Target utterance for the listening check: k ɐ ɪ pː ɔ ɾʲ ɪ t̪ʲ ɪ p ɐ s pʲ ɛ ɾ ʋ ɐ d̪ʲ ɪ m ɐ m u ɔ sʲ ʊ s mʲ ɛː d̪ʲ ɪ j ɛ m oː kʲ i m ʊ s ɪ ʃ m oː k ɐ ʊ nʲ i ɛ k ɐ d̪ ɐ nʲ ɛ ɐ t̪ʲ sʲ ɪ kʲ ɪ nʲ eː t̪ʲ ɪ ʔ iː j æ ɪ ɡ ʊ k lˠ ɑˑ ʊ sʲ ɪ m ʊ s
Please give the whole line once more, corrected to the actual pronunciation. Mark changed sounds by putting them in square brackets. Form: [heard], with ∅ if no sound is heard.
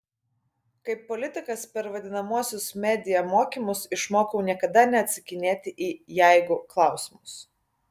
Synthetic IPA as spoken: k ɐ ɪ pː ɔ [lʲ] ɪ t̪ʲ ɪ [k] ɐ s pʲ ɛ ɾ ʋ ɐ d̪ʲ ɪ [n] ɐ m u ɔ sʲ ʊ s mʲ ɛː d̪ʲ ɪ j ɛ m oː kʲ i m ʊ s ɪ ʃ m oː k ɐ ʊ nʲ i ɛ k ɐ d̪ ɐ nʲ ɛ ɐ t̪ʲ sʲ ɪ kʲ ɪ nʲ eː t̪ʲ ɪ ʔ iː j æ ɪ ɡ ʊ k lˠ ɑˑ ʊ sʲ ɪ m ʊ s